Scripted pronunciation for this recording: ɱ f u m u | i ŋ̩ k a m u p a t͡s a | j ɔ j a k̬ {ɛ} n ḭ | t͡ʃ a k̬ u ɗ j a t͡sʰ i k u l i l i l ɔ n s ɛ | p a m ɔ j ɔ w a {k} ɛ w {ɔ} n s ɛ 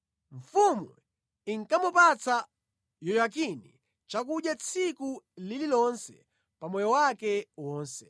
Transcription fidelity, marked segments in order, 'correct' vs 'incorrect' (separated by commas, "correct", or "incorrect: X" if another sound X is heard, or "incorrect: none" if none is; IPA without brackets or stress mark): incorrect: i, correct, incorrect: ɔː